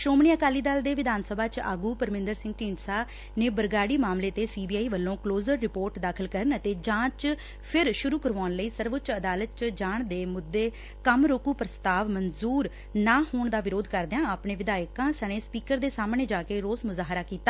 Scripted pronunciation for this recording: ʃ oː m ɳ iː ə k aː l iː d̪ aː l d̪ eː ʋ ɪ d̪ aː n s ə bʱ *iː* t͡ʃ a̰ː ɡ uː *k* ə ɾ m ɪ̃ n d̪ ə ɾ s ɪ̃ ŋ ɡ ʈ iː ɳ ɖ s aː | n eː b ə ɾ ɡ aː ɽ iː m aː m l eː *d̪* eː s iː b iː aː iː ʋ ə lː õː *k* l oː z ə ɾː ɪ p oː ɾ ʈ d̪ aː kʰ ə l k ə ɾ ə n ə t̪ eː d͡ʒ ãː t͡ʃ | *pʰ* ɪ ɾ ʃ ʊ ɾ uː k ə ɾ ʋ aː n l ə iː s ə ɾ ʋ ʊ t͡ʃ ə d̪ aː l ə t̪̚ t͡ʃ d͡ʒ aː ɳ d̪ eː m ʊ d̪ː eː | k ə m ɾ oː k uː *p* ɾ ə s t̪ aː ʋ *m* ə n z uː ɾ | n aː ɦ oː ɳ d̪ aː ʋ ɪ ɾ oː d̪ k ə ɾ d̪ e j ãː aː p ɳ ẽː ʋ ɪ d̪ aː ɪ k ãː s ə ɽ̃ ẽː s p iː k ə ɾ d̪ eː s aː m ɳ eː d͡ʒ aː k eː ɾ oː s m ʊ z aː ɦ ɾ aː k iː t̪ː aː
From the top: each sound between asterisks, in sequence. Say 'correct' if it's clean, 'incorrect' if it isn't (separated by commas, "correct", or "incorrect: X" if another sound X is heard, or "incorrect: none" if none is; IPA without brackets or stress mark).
incorrect: aː, incorrect: p, incorrect: t̪, correct, correct, correct, correct